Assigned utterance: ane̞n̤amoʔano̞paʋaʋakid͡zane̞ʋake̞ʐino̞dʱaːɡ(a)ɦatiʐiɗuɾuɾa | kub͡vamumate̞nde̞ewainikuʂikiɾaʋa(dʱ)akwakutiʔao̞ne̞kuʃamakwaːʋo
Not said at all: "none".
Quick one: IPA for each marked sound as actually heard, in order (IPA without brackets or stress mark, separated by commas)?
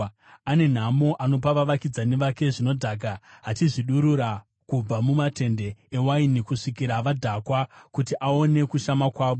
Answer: a, dʱ